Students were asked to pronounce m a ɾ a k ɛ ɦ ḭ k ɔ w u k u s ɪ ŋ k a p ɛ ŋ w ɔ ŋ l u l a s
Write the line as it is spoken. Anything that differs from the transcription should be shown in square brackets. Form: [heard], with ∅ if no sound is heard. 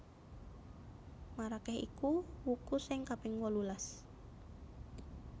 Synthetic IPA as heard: m a ɾ a k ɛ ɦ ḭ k [u] w u k u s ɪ ŋ k a p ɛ ŋ w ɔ [∅] l u l a s